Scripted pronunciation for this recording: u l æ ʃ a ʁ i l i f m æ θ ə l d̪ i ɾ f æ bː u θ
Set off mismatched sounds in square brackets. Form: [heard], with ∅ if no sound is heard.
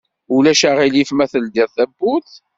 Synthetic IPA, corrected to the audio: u l æ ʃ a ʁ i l i f m æ θ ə l d̪ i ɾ [θ] æ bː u θ